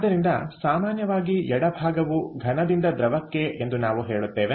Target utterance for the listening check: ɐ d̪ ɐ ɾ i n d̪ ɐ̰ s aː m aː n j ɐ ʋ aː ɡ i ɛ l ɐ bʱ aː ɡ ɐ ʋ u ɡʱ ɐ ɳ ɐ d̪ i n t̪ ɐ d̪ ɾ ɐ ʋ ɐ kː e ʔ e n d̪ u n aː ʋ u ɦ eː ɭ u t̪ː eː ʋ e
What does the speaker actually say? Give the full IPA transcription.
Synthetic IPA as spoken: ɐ d̪ ɐ ɾ i n d̪ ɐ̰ s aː m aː n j ɐ ʋ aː ɡ i ɛ ɽ ɐ bʱ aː ɡ ɐ ʋ u ɡʱ ɐ n ɐ d̪ i n d̪ ɐ d̪ ɾ ɐ ʋ ɐ kː e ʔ e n d̪ u n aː ʋ u ɦ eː ɭ u t̪ː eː ʋ e